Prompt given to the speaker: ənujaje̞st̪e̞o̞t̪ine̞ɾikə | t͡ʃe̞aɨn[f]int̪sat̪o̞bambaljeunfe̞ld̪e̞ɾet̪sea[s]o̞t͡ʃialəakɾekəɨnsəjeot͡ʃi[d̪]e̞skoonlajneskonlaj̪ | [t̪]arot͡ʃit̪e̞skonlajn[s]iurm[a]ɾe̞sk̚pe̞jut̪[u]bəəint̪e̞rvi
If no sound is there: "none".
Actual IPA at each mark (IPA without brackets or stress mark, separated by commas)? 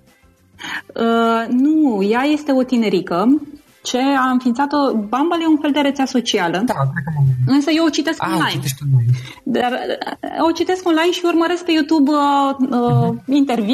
f, s, t̪, d̪, ʃ, ə, u